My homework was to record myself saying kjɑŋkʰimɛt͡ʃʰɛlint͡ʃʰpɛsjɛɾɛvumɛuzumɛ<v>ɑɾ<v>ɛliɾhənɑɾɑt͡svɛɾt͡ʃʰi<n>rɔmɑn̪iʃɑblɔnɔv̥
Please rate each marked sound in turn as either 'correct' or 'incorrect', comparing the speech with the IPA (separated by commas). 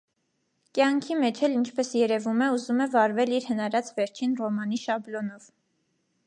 correct, correct, correct